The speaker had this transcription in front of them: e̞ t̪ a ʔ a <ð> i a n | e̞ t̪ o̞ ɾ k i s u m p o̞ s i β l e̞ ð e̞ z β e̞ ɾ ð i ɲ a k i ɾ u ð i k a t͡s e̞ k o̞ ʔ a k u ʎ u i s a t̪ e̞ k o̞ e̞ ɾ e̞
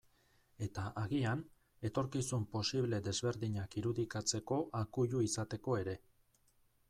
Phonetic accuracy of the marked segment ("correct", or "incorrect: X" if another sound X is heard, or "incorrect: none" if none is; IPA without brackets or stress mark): incorrect: ɣ